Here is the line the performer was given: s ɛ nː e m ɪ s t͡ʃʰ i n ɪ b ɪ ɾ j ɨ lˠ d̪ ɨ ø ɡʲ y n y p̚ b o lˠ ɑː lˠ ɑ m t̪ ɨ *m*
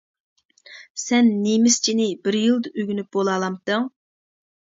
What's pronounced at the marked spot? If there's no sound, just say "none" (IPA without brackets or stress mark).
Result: ŋ